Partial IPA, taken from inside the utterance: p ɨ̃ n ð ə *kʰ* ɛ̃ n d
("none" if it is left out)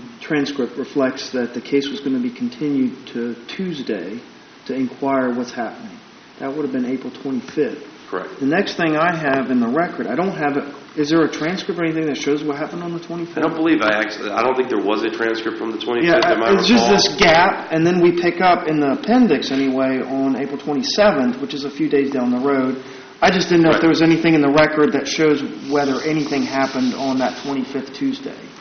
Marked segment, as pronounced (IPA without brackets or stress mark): pʰ